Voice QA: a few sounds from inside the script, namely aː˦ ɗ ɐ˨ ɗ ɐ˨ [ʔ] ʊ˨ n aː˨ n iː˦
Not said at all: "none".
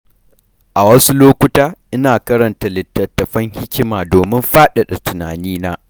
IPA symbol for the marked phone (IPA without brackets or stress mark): t